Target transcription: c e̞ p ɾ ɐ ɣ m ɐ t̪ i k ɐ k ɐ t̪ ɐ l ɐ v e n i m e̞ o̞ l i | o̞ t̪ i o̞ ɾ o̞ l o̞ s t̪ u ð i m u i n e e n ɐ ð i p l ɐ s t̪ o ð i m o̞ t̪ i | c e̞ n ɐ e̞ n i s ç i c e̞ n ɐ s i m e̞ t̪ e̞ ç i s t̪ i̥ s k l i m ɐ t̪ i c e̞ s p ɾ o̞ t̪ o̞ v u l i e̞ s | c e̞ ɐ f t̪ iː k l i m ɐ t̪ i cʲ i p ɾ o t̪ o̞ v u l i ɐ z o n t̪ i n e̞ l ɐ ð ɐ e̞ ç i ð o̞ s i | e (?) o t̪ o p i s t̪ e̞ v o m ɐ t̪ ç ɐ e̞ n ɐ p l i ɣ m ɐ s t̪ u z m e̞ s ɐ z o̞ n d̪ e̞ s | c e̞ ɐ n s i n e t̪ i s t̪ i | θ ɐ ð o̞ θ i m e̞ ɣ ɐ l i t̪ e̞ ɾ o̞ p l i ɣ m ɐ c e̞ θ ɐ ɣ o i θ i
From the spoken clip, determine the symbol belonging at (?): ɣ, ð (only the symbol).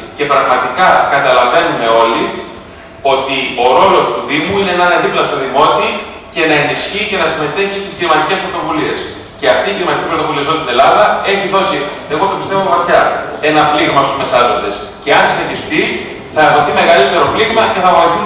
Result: ɣ